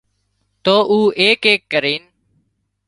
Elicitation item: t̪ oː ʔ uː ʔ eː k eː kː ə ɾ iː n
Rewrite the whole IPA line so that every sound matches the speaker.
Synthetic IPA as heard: t̪ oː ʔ uː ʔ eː k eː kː ə ɾ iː n